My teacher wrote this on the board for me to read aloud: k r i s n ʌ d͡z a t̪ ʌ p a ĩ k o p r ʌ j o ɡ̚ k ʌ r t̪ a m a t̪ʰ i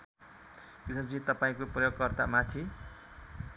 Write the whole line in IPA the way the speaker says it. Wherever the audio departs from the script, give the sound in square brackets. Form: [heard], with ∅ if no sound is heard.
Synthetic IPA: k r i s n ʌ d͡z [i] t̪ ʌ p a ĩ k o p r ʌ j o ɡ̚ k ʌ r t̪ a m a t̪ʰ i